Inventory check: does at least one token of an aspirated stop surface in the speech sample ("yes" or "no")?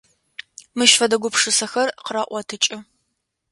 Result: yes